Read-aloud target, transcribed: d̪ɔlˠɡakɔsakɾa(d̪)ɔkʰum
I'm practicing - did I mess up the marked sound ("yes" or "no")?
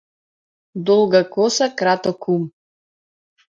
yes